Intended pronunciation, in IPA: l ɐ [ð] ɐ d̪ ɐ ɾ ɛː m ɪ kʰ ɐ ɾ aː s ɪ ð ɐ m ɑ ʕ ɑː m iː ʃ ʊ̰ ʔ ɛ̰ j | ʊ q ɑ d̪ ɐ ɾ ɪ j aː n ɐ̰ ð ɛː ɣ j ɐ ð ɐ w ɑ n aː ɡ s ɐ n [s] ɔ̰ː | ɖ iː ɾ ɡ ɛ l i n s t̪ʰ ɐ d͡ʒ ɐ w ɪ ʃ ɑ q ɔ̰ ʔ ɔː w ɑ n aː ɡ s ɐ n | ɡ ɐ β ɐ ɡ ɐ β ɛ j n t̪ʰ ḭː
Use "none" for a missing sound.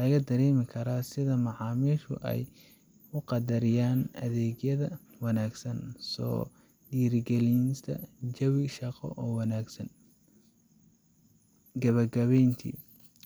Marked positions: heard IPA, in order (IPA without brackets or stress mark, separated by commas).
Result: ɣ, s